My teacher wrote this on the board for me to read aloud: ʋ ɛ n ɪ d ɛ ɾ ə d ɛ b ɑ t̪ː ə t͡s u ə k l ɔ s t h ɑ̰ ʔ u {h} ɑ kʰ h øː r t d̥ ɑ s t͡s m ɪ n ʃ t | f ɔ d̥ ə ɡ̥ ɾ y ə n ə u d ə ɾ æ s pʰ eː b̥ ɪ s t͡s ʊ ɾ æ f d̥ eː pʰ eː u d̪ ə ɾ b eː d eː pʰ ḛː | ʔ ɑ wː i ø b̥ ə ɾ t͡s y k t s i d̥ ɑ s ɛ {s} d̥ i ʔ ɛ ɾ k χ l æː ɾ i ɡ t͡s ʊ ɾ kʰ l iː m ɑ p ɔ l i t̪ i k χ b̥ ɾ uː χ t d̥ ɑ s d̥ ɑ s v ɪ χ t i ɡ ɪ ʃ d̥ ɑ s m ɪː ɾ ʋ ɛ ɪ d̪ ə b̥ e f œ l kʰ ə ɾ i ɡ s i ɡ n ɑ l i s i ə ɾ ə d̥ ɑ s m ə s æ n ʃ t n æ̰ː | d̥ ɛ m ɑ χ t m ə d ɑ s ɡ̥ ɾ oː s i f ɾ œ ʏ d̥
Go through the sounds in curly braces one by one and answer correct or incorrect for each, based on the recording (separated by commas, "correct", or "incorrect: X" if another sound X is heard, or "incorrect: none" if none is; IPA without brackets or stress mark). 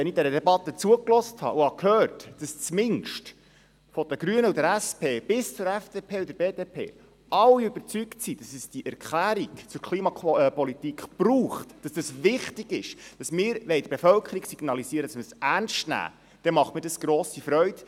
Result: correct, correct